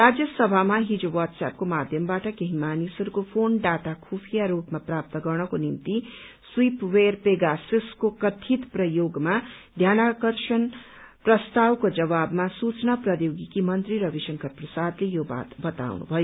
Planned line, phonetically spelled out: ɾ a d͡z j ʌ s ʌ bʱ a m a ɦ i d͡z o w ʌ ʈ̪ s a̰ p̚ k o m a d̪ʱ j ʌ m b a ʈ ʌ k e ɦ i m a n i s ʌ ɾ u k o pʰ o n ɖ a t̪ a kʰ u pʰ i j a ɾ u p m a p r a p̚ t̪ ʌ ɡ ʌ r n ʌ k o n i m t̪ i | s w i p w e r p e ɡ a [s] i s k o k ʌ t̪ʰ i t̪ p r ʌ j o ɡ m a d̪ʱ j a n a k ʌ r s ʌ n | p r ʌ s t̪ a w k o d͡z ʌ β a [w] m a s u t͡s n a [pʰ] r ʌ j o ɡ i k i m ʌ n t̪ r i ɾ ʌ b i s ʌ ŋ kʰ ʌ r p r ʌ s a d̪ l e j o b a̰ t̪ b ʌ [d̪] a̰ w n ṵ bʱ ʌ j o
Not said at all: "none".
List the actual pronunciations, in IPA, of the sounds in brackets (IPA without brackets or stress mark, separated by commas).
s, b, p, t̪